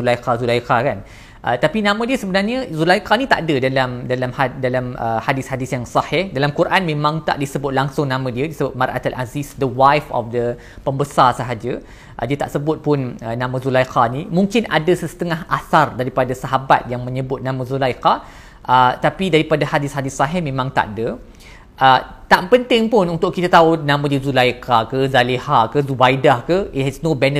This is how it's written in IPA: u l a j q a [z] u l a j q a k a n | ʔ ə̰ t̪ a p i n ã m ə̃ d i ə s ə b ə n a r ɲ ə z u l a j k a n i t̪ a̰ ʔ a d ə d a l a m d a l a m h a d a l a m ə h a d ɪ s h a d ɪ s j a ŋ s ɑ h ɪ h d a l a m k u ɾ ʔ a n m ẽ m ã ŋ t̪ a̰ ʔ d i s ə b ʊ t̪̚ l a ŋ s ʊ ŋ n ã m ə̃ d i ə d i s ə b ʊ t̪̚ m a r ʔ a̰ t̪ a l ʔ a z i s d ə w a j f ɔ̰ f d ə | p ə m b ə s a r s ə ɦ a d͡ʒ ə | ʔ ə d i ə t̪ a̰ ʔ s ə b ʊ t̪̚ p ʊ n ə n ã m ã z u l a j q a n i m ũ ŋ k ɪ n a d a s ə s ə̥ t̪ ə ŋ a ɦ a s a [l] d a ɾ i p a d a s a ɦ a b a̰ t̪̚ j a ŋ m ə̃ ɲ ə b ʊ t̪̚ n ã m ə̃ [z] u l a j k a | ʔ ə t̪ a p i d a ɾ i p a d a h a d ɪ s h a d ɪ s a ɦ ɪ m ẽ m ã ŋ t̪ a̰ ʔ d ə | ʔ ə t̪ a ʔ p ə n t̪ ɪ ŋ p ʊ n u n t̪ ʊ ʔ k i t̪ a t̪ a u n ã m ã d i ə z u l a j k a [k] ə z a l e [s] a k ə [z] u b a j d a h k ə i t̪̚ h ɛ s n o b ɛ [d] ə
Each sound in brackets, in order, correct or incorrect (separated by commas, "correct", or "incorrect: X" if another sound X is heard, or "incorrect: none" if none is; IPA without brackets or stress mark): correct, incorrect: r, correct, correct, incorrect: h, correct, incorrect: n